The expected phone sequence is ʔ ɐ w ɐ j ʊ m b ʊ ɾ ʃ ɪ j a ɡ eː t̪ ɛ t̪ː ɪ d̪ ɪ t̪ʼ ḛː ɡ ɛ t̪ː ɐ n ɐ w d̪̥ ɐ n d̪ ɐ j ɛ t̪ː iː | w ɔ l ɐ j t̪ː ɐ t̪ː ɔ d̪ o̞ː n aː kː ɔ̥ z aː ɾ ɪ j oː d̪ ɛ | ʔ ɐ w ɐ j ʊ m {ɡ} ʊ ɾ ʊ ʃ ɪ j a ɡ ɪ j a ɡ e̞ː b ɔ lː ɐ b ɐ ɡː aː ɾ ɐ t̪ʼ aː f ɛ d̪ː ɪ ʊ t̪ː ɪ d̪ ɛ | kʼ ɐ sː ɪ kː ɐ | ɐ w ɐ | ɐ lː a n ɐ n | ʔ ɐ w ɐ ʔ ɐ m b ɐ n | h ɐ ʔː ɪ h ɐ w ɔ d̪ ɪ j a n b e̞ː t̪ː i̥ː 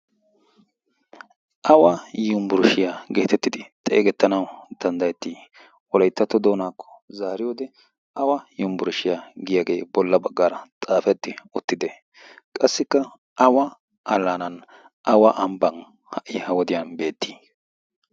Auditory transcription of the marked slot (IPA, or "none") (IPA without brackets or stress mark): b